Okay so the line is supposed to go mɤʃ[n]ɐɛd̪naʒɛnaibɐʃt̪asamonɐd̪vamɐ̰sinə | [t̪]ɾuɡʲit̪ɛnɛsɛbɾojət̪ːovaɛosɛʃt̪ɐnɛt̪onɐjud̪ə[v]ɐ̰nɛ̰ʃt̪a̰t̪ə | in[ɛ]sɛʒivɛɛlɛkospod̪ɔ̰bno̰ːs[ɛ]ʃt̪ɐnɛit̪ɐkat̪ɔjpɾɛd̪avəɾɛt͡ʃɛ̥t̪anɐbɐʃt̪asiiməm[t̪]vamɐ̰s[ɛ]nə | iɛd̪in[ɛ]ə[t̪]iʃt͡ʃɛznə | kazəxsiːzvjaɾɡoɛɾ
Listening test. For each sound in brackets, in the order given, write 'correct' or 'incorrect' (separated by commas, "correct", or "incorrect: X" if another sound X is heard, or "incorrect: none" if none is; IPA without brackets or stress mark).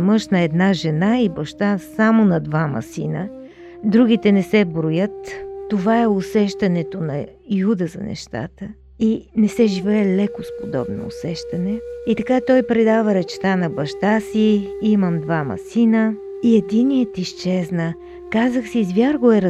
correct, incorrect: d̪, incorrect: z, correct, correct, incorrect: d̪, incorrect: i, incorrect: i, correct